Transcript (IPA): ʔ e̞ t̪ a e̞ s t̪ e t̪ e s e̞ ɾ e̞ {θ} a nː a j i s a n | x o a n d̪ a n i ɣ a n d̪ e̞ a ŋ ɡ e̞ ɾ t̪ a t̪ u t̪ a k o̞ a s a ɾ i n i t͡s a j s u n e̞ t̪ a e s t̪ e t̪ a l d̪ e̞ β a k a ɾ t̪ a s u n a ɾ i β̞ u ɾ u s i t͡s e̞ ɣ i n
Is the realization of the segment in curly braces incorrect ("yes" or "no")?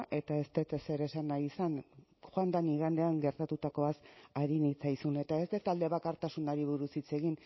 yes